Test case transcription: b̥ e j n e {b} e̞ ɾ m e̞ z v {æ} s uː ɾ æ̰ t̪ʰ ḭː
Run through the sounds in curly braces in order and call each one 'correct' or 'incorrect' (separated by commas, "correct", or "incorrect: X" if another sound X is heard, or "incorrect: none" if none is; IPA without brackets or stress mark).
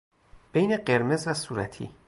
incorrect: ɢ, correct